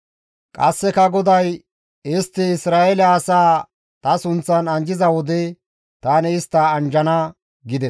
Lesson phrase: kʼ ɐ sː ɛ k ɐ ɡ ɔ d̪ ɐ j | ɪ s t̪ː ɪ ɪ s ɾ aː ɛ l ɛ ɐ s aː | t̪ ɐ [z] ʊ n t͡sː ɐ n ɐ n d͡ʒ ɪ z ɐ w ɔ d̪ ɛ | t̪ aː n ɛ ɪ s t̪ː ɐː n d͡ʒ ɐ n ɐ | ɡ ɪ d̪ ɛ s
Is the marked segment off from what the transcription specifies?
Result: yes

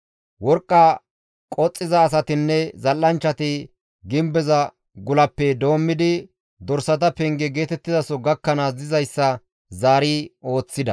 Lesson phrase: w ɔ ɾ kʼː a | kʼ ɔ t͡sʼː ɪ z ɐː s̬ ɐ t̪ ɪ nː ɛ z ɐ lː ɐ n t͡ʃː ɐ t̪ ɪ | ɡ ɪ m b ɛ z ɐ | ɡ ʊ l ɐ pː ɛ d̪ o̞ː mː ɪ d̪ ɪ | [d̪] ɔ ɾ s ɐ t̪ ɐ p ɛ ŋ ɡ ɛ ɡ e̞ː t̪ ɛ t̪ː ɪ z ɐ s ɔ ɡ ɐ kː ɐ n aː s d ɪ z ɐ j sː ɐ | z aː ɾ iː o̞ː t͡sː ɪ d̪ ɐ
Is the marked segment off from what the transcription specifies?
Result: no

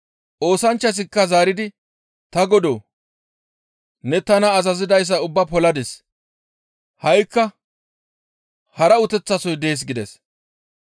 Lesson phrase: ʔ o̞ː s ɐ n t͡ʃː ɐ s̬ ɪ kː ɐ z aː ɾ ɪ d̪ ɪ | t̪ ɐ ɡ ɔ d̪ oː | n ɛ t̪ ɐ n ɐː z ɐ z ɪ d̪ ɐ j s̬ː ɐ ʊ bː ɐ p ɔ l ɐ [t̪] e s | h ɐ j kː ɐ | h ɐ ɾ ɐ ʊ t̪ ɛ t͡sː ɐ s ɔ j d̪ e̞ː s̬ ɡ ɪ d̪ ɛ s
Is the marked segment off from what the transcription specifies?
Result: yes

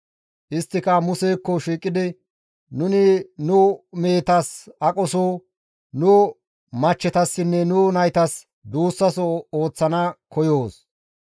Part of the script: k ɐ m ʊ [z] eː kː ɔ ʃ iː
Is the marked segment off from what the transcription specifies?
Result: yes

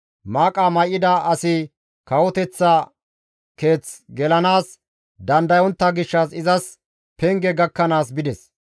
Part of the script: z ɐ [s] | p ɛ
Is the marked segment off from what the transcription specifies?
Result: no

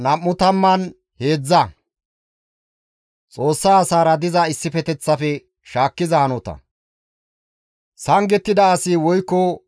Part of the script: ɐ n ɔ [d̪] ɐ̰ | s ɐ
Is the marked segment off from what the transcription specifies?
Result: yes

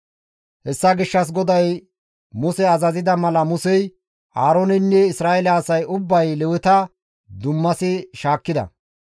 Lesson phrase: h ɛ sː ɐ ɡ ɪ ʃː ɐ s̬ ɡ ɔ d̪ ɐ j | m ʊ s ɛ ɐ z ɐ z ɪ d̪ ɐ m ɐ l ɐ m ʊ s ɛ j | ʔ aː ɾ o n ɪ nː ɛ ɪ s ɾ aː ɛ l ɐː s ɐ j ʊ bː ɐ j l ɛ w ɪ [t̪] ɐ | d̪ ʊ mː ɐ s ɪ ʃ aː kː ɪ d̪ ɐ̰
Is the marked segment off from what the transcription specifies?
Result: no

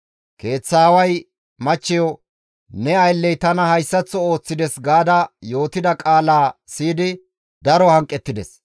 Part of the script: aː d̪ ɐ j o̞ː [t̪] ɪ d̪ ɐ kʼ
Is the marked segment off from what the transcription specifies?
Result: no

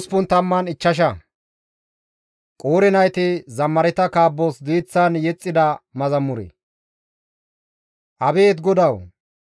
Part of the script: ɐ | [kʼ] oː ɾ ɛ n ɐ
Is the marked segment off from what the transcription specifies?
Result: no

